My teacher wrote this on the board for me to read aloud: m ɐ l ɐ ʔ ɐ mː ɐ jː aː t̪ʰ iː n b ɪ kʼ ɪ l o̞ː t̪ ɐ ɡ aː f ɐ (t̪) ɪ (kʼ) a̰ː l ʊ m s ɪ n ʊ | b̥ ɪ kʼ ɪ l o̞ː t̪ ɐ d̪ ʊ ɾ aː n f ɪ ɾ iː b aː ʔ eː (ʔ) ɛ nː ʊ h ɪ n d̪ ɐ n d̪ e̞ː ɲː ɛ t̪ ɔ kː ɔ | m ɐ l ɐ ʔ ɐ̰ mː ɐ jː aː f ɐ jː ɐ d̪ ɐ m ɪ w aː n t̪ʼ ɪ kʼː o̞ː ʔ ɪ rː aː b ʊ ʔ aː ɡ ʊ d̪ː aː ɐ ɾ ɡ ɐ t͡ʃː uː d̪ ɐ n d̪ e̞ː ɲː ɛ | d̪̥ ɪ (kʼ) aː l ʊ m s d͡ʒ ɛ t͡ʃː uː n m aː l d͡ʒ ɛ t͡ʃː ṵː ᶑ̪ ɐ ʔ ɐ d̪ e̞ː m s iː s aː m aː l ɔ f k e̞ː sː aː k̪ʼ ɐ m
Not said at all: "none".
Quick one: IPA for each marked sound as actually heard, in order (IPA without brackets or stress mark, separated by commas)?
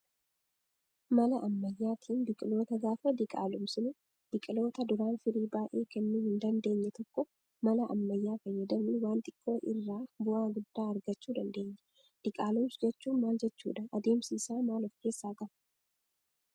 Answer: d̪, kʼ, k, kʼ